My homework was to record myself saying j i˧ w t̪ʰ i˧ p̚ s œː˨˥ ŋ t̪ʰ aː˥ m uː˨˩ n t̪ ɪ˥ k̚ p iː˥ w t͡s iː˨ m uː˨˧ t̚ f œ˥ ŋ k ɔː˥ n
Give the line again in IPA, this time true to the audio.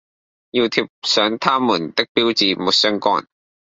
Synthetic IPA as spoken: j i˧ w t̪ʰ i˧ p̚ s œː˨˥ ŋ t̪ʰ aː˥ m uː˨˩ n t̪ ɪ˥ k̚ p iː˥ w t͡s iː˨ m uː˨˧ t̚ s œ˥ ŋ k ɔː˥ n

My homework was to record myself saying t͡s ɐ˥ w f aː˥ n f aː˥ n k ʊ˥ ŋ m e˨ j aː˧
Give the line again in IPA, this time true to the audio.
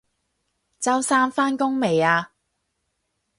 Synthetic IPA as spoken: t͡s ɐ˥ w s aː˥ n f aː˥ n k ʊ˥ ŋ m e˨ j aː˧

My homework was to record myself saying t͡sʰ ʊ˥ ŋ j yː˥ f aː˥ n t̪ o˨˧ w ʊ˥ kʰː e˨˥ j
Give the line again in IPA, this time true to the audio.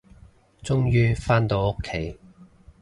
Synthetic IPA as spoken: t͡s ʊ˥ ŋ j yː˥ f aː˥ n t̪ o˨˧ w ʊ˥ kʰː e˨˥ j

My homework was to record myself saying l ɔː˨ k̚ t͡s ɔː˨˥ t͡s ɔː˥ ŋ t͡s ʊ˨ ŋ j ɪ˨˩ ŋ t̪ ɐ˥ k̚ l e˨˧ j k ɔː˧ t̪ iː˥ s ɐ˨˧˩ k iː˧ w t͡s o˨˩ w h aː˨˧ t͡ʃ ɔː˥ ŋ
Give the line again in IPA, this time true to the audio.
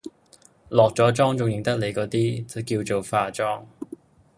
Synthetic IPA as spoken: l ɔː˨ k̚ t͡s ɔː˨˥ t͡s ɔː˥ ŋ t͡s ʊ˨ ŋ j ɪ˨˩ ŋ t̪ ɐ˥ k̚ l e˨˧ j k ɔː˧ t̪ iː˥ t͡s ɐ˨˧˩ k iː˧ w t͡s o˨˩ w f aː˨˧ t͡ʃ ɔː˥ ŋ

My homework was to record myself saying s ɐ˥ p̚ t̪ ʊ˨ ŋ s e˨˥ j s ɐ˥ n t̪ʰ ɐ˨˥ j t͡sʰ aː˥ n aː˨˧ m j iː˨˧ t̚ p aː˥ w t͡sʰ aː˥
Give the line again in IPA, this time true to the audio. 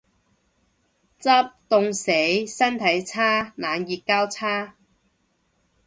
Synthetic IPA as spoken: t͡s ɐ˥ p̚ t̪ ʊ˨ ŋ s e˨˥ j s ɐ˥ n t̪ʰ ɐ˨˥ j t͡sʰ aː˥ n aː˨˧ n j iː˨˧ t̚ k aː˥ w t͡sʰ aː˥

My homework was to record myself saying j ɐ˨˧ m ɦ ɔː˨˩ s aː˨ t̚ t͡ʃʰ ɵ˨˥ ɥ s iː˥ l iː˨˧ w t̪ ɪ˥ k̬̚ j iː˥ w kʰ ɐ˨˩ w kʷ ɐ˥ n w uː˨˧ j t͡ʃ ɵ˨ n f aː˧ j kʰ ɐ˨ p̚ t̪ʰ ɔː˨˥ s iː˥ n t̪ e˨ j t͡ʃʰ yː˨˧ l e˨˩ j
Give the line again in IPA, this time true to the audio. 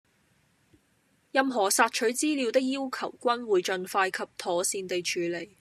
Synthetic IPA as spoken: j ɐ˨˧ m ɦ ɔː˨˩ s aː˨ t̚ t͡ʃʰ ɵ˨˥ ɥ t͡s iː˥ l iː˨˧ w t̪ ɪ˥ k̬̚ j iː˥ w kʰ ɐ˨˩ w kʷ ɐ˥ n w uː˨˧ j t͡ʃ ɵ˨ n f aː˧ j kʰ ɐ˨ p̚ t̪ʰ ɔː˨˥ s iː˧ n t̪ e˨ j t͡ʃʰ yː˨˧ l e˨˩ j

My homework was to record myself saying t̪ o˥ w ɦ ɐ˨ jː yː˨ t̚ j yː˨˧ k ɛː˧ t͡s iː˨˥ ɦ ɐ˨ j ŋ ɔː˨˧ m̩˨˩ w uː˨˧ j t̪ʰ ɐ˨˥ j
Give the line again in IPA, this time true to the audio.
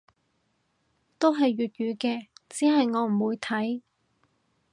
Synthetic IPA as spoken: t̪ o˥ w ɦ ɐ˨ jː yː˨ t̚ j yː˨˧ k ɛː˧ t͡s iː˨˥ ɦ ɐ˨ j ŋ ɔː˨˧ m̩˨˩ w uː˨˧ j t̪ʰ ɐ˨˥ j

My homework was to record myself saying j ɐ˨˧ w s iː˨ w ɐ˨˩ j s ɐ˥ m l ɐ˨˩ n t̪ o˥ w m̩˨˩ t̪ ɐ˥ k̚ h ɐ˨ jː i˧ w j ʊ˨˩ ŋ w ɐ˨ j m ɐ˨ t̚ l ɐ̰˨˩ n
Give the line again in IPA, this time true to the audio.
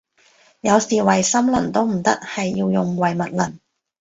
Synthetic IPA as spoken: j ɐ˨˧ w s iː˨ w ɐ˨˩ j s ɐ˥ m l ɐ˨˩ n t̪ o˥ w m̩˨˩ t̪ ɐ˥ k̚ h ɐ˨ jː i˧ w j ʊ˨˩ ŋ w ɐ˨ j m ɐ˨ t̚ l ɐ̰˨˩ n

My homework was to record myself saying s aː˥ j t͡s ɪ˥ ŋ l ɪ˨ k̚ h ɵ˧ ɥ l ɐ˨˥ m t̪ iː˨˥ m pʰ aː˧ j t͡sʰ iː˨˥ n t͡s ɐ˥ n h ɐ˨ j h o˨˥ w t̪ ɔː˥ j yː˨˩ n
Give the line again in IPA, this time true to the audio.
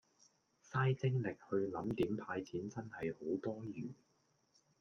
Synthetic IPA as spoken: s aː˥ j t͡s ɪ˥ ŋ l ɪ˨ k̚ h ɵ˧ ɥ l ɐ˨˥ m t̪ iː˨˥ m pʰ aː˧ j t͡sʰ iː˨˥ n t͡s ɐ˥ n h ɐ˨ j h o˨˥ w t̪ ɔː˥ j yː˨˩ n

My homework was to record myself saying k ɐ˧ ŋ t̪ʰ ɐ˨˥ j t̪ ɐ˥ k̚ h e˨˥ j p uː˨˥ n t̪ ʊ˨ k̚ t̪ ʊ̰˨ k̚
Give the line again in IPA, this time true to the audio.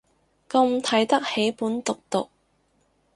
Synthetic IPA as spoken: k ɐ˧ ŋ t̪ʰ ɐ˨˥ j t̪ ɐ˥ k̚ h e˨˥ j p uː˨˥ n t̪ ʊ˨ k̚ t̪ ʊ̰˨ k̚

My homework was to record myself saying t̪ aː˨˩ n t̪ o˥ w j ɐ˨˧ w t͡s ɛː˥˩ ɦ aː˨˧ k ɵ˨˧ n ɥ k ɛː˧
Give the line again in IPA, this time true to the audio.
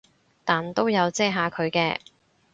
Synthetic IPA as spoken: t̪ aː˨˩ n t̪ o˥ w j ɐ˨˧ w t͡s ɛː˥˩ ɦ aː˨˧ kʰ ɵ˨˧ ɥ k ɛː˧

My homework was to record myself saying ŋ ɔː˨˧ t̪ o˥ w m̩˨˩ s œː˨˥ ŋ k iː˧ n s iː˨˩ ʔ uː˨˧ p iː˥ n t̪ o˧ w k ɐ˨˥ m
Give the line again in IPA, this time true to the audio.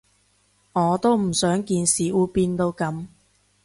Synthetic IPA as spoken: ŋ ɔː˨˧ t̪ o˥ w m̩˨˩ s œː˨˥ ŋ k iː˧ n s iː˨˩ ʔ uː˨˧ p iː˧ n t̪ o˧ w k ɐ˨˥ m

